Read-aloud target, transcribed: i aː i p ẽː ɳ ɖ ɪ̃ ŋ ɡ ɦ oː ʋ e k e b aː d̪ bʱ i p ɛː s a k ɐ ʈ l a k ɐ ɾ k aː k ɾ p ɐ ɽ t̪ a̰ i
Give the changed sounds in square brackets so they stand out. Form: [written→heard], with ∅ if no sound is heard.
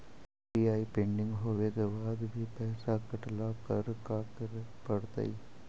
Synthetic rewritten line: i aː i p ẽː ɳ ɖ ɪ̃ ŋ ɡ ɦ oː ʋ e k e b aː d̪ bʱ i p ɛː s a k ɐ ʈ l a k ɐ ɾ k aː k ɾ p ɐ ɽ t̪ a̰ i

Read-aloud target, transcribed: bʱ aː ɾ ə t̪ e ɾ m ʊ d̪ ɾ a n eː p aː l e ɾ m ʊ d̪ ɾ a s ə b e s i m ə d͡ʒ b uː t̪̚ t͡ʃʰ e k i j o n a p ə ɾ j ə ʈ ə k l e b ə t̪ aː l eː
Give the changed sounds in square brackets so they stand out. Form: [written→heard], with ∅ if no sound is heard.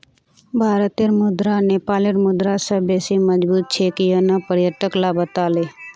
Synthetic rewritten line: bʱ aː ɾ ə t̪ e ɾ m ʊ d̪ ɾ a n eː p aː l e ɾ m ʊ d̪ ɾ a s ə b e s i m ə d͡ʒ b uː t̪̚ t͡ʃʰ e k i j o n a p ə ɾ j ə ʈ ə k l [e→a] b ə t̪ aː l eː

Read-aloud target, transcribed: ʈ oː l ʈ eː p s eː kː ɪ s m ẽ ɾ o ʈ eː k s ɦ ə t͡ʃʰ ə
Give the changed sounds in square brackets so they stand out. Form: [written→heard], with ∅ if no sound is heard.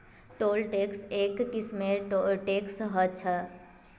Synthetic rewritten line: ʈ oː l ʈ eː [p→k] s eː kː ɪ s m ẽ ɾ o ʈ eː k s ɦ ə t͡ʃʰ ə

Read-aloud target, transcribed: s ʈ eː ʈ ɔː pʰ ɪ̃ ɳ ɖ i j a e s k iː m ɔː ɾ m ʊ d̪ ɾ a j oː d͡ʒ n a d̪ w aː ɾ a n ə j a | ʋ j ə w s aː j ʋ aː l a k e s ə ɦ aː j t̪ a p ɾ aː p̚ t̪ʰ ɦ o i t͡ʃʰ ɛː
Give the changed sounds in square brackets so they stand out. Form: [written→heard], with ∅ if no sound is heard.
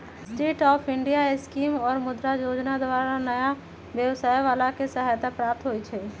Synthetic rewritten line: s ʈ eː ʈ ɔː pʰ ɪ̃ ɳ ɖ i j a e s k iː m ɔː ɾ m ʊ d̪ ɾ a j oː d͡ʒ n a d̪ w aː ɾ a n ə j a | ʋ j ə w s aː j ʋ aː l a k e s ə ɦ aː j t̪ a p ɾ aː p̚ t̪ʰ ɦ o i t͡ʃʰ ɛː

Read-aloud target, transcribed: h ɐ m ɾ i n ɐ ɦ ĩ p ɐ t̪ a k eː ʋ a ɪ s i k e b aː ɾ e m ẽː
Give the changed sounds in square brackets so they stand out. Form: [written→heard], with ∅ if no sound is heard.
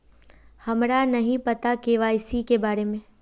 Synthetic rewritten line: h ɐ m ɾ [i→a] n ɐ ɦ ĩ p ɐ t̪ a k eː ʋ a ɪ s i k e b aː ɾ e m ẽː

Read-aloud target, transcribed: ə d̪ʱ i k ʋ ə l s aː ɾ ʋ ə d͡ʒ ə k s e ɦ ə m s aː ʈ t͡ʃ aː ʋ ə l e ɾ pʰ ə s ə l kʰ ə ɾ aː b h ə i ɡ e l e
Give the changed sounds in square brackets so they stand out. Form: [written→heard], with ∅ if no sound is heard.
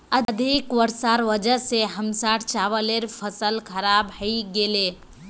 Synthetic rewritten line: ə d̪ʱ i k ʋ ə [l→ɾ] s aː ɾ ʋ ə d͡ʒ ə [k→∅] s e ɦ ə m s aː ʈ t͡ʃ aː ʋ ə l e ɾ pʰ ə s ə l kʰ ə ɾ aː b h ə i ɡ e l e

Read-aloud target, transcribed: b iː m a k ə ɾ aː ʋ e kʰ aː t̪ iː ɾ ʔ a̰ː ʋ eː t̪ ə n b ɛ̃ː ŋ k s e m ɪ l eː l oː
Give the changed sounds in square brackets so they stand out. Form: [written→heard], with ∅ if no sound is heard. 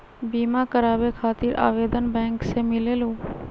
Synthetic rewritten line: b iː m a k ə ɾ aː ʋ e kʰ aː t̪ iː ɾ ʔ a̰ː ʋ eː [t̪→d̪] ə n b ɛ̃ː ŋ k s e m ɪ l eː l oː

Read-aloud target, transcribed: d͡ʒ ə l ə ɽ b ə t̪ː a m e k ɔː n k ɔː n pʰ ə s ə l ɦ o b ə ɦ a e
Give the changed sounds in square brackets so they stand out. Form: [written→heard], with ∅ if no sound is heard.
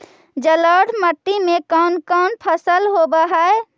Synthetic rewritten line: d͡ʒ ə l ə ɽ [b→m] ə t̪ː [a→i] m e k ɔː n k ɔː n pʰ ə s ə l ɦ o b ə ɦ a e

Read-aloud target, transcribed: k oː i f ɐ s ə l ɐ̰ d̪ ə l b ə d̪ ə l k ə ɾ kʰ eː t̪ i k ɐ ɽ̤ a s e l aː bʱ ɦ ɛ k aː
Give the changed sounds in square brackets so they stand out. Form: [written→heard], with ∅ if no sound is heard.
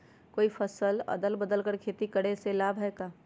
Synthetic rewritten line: k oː i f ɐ s ə l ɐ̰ d̪ ə l b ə d̪ ə l k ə ɾ kʰ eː t̪ i k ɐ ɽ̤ [a→e] s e l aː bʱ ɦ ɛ k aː

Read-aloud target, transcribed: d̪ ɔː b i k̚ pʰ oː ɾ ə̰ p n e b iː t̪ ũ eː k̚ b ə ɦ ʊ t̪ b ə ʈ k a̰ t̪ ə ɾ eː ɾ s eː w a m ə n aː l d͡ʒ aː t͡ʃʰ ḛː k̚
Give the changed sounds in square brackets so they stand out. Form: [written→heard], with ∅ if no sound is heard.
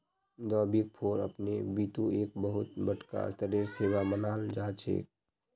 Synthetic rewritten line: d̪ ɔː b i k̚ pʰ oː ɾ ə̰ p n e b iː t̪ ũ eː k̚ b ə ɦ ʊ t̪ b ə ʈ k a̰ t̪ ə ɾ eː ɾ s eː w a m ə n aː l d͡ʒ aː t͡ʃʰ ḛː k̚

